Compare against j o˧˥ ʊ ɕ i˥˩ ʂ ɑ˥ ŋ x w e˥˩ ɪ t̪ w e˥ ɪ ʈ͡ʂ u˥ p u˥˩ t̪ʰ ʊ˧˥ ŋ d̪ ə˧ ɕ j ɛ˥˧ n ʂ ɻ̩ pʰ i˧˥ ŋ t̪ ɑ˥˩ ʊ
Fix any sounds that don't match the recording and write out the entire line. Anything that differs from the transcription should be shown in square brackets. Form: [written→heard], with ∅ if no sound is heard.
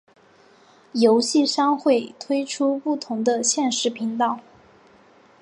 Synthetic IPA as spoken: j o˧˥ ʊ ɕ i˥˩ ʂ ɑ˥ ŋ x w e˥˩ ɪ [t̪→t̪ʰ] w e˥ ɪ [ʈ͡ʂ→ʈ͡ʂʰ] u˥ p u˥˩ t̪ʰ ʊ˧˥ ŋ d̪ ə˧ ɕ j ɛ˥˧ n ʂ ɻ̩ pʰ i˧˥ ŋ t̪ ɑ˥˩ ʊ